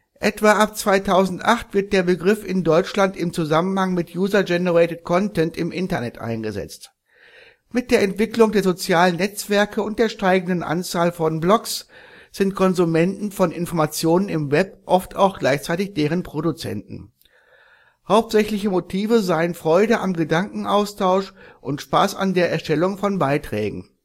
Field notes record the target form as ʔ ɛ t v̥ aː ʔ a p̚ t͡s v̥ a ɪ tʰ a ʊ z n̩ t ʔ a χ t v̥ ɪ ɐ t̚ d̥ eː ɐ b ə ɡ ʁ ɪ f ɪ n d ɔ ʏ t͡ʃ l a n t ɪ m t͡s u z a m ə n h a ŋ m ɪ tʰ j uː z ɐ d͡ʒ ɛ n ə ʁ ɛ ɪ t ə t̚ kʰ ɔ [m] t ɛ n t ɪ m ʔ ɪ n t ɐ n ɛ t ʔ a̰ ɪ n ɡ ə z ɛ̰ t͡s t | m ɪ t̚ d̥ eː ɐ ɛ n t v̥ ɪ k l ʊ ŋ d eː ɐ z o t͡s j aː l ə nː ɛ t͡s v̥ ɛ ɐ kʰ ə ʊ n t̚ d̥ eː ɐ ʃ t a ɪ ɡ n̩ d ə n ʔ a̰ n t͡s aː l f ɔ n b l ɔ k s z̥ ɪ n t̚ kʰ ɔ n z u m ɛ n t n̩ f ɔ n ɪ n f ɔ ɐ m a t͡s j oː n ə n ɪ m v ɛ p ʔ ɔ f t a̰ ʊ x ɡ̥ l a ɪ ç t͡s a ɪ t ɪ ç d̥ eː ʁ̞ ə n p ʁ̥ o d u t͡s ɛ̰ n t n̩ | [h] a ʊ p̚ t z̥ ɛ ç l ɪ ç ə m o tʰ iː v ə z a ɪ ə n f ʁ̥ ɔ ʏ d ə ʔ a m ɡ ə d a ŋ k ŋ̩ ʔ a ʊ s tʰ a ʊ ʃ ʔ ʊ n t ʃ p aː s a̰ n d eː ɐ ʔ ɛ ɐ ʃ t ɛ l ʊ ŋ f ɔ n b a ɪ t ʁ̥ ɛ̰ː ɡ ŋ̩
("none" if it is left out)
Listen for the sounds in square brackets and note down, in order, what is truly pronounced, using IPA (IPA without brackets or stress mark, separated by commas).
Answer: n, h